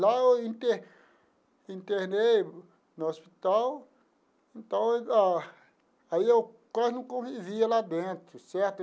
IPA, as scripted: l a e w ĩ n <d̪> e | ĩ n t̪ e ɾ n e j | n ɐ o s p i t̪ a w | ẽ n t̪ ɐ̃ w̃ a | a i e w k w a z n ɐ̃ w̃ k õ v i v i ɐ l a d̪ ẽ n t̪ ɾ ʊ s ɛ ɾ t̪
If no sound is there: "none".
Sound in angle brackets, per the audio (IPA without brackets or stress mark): t̪